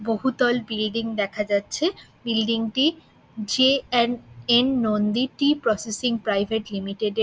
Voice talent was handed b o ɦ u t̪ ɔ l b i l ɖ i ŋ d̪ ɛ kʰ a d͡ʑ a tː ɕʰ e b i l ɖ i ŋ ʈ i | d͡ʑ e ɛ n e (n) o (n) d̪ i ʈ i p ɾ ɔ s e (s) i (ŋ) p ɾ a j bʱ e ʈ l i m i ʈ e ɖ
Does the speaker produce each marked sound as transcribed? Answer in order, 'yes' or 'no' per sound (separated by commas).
no, yes, yes, yes